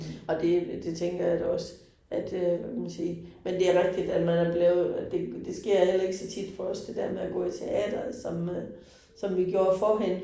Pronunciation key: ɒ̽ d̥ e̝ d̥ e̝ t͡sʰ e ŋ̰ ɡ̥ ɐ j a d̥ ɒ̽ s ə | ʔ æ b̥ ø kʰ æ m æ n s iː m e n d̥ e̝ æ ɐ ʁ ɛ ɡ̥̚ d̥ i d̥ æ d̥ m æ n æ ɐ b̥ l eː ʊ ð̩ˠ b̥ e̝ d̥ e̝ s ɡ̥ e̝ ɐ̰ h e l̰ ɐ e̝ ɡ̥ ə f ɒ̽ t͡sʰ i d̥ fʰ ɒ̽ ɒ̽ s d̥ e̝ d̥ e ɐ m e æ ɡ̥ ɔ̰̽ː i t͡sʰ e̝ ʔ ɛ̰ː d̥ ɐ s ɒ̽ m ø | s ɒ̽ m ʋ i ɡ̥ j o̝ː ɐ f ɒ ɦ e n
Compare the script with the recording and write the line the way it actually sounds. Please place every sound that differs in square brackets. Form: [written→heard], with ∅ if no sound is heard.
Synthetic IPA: ɒ̽ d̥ e̝ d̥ e̝ t͡sʰ e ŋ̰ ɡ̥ ɐ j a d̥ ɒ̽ s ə | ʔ æ [b̥→d̥] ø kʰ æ m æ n s iː m e n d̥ e̝ æ ɐ ʁ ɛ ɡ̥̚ d̥ i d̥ æ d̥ m æ n æ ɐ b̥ l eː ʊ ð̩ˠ [b̥→d̥] e̝ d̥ e̝ s ɡ̥ e̝ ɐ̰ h e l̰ ɐ e̝ ɡ̥ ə [f→s] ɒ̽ t͡sʰ i d̥ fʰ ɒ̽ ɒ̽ s d̥ e̝ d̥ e ɐ m e æ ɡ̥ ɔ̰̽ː i t͡sʰ e̝ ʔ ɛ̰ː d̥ ɐ s ɒ̽ m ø | s ɒ̽ m ʋ i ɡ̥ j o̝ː ɐ f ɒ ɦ e n

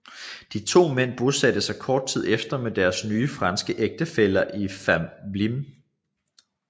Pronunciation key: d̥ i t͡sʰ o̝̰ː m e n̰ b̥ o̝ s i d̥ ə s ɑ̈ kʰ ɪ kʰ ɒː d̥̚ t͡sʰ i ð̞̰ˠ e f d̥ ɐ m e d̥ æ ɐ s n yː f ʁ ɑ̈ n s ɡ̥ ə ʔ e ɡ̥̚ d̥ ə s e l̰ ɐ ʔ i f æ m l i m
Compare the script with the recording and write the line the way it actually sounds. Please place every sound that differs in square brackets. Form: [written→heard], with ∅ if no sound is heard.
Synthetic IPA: d̥ i t͡sʰ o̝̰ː m e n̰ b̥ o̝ s [i→æ] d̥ ə s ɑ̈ [kʰ→∅] ɪ kʰ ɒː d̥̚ t͡sʰ i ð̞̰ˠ e f d̥ ɐ m e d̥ æ ɐ s n yː f ʁ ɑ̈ n s ɡ̥ ə ʔ e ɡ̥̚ d̥ ə [s→f] e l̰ ɐ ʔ i f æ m l i m

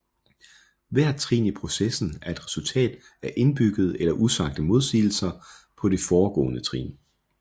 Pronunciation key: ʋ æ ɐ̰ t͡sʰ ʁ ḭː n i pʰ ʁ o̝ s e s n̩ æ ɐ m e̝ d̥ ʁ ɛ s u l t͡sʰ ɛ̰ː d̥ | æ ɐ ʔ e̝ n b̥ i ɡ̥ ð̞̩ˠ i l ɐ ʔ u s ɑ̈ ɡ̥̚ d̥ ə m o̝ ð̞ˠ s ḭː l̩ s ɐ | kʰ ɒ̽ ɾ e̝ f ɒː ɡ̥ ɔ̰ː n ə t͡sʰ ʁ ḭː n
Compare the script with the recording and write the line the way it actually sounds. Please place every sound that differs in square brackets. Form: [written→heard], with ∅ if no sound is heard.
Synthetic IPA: ʋ æ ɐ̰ t͡sʰ ʁ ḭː n i pʰ ʁ o̝ s e s n̩ æ ɐ [m→∅] e̝ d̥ ʁ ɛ s u l t͡sʰ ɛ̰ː d̥ | æ ɐ ʔ e̝ n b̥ [i→y] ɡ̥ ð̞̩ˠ [i→e] l ɐ ʔ u s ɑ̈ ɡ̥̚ d̥ ə m o̝ ð̞ˠ s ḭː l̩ s ɐ | [kʰ→pʰ] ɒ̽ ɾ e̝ f ɒː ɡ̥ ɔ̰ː n ə t͡sʰ ʁ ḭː n

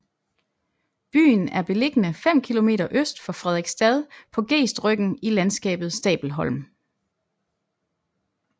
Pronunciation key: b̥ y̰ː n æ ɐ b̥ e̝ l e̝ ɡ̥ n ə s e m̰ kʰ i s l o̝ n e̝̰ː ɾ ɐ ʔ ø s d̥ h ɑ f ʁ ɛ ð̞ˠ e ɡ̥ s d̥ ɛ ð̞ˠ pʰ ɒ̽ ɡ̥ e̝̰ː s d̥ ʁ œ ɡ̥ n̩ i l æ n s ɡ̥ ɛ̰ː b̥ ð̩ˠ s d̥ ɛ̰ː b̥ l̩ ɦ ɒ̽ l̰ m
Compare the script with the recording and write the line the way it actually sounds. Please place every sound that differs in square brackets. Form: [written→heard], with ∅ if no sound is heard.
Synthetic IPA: b̥ y̰ː n æ ɐ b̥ e̝ l e̝ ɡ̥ n ə [s→f] e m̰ kʰ i [s→∅] l o̝ [n→m] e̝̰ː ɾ ɐ ʔ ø s d̥ [h→f] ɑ f ʁ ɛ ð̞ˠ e ɡ̥ s d̥ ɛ ð̞ˠ pʰ ɒ̽ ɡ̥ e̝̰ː s d̥ ʁ œ ɡ̥ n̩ i l æ n s ɡ̥ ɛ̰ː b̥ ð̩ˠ s d̥ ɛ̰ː b̥ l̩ ɦ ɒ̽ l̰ m

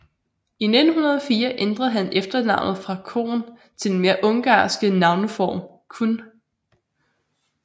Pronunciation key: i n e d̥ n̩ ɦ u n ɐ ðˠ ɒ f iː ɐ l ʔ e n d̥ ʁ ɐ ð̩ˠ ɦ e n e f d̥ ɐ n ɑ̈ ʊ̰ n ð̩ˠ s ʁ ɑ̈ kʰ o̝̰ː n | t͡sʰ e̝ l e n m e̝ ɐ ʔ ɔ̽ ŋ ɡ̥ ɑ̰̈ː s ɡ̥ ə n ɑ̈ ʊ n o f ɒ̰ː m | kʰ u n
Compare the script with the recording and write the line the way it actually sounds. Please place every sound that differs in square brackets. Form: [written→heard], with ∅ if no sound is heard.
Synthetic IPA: i n e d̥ n̩ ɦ u n ɐ ðˠ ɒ f iː ɐ [l→∅] ʔ e n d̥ ʁ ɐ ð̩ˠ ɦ [e→æ] n e f d̥ ɐ n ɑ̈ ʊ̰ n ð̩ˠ [s→f] ʁ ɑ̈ kʰ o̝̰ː n | t͡sʰ e̝ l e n m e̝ ɐ ʔ ɔ̽ ŋ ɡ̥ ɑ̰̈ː s ɡ̥ ə n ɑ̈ ʊ n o f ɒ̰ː m | kʰ u n

